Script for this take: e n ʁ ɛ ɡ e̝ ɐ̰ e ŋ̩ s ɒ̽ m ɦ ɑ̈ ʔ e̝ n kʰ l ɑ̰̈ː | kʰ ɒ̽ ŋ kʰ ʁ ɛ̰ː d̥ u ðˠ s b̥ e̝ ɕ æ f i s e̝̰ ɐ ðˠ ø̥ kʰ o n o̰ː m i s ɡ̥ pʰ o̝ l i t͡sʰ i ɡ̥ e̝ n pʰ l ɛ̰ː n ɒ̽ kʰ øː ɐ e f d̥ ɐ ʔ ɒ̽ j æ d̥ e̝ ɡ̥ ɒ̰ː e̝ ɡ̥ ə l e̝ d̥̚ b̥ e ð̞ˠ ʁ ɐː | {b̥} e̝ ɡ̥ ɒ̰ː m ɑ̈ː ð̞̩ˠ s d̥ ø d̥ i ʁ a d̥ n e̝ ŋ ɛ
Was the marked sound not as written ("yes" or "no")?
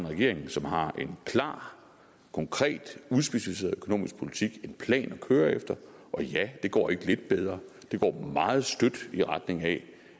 yes